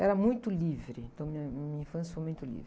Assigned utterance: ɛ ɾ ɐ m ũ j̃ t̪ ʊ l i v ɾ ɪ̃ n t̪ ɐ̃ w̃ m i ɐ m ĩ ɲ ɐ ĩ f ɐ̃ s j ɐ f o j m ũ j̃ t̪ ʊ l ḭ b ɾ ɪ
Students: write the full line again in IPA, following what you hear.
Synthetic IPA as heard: ɛ ɾ ɐ m ũ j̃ t̪ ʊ l i v ɾ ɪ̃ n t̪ ɐ̃ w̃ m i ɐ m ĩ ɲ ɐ ĩ f ɐ̃ s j ɐ f o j m ũ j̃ t̪ ʊ l ḭ v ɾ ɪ